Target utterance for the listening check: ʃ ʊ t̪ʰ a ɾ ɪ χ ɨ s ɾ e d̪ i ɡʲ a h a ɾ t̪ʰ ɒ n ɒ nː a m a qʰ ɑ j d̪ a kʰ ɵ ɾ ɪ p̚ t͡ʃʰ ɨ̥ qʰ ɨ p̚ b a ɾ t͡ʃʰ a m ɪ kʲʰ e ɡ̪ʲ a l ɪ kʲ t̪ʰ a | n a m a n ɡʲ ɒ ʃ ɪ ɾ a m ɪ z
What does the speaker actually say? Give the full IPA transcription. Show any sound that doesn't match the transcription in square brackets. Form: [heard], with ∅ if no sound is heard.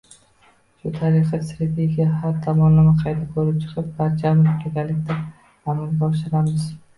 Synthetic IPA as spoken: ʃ ʊ t̪ʰ a ɾ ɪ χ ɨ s ɾ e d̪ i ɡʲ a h a ɾ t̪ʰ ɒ [m] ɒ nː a m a qʰ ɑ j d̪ a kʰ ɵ ɾ ɪ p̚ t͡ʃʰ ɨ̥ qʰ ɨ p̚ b a ɾ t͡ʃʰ a m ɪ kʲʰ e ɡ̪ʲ a l ɪ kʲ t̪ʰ a | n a m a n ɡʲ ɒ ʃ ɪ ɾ a m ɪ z